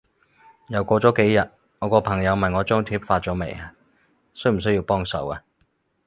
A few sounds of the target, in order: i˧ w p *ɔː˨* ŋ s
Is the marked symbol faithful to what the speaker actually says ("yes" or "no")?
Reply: no